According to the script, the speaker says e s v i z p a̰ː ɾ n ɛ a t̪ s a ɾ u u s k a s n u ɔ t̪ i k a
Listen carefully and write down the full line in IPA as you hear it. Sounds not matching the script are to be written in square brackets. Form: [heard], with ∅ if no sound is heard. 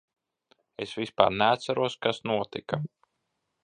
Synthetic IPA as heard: e s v i [s] p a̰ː ɾ n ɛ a t̪ s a ɾ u [ɔ] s k a s n u ɔ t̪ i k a